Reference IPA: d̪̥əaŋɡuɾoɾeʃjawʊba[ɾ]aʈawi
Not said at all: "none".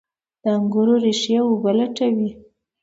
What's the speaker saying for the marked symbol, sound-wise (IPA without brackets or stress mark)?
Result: l